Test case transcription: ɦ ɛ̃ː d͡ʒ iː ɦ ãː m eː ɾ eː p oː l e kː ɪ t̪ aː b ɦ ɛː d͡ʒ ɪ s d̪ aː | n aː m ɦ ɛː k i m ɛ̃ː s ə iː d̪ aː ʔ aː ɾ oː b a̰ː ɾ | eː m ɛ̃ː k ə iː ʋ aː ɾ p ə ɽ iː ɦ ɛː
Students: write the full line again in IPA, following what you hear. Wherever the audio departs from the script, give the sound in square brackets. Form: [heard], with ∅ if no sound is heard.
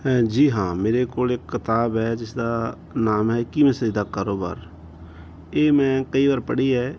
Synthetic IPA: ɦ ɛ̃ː d͡ʒ iː ɦ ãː m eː ɾ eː [k] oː l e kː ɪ t̪ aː b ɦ ɛː d͡ʒ ɪ s d̪ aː | n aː m ɦ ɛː k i m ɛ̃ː s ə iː d̪ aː [k] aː ɾ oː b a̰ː ɾ | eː m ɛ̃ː k ə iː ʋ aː ɾ p ə ɽ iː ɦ ɛː